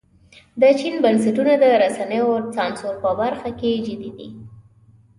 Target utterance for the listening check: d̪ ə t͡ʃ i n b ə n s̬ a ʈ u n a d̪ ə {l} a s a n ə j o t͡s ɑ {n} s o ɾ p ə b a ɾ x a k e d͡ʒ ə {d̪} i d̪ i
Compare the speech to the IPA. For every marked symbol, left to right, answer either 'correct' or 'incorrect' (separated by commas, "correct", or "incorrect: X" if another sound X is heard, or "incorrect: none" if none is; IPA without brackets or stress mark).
incorrect: ɾ, correct, correct